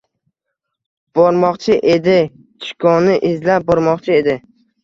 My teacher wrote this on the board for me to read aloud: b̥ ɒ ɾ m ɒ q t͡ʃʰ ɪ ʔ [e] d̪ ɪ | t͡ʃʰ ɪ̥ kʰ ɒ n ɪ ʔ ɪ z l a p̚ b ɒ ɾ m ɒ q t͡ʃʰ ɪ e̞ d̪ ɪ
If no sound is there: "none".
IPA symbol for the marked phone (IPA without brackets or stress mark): e